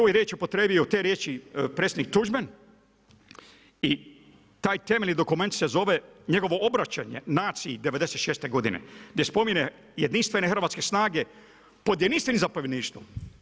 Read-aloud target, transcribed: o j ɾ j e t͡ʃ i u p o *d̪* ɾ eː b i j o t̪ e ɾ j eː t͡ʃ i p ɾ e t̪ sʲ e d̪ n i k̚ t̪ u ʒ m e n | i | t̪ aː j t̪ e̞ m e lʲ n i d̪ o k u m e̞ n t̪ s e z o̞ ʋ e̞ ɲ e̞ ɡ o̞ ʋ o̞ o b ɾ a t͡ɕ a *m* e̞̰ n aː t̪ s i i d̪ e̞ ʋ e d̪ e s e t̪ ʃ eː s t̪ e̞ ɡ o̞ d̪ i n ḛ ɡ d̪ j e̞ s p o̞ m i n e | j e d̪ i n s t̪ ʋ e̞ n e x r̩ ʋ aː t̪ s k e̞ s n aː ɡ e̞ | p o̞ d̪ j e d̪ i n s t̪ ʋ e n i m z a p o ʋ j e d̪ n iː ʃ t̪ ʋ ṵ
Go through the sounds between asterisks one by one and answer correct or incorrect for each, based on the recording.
incorrect, incorrect

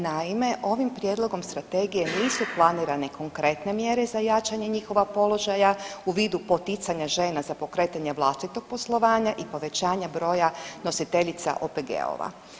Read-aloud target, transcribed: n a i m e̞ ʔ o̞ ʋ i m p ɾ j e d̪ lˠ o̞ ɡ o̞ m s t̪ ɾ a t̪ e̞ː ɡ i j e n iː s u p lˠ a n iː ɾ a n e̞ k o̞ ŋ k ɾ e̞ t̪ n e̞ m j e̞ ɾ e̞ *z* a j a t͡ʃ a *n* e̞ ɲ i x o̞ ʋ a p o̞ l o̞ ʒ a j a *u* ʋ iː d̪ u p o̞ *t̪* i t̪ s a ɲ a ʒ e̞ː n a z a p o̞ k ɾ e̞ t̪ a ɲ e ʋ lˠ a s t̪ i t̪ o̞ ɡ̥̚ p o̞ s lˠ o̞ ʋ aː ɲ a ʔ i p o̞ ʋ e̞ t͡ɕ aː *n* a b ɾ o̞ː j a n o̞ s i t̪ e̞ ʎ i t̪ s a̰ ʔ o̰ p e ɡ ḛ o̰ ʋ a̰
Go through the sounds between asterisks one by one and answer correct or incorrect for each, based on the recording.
correct, incorrect, correct, correct, incorrect

